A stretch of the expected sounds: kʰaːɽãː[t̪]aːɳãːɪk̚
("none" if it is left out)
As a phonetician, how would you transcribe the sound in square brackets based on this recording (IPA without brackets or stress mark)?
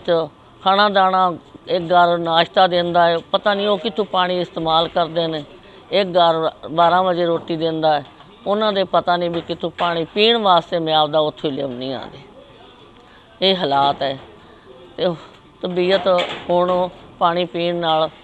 d̪